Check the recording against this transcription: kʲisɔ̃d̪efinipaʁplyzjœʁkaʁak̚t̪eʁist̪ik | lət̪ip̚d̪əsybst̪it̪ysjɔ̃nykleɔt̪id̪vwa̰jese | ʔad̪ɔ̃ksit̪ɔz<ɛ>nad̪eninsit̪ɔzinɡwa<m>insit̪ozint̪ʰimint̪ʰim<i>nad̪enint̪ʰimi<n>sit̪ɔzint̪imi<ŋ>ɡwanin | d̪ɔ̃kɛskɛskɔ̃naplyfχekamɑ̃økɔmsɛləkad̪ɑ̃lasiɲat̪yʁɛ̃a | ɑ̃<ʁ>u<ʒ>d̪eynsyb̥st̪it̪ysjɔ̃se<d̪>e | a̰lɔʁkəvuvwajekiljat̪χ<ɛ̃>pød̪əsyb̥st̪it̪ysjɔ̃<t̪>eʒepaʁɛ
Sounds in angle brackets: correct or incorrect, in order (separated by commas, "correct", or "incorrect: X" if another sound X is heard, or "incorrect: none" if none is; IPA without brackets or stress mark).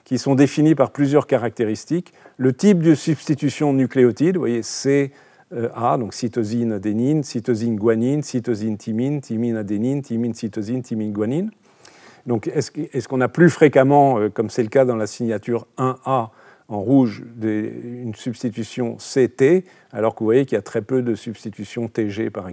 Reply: incorrect: i, incorrect: n, correct, correct, incorrect: n, correct, correct, incorrect: t̪, incorrect: ɛ, correct